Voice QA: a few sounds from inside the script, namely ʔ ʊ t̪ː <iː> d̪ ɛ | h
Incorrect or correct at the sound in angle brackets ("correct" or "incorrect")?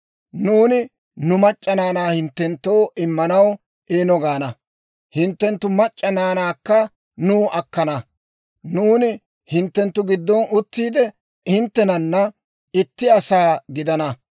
correct